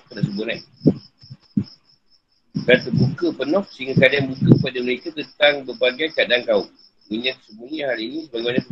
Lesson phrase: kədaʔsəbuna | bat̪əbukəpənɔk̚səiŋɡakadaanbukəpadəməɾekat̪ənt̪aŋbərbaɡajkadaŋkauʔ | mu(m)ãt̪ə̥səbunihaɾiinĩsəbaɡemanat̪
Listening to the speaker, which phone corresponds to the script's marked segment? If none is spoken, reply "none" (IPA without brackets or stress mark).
ɲ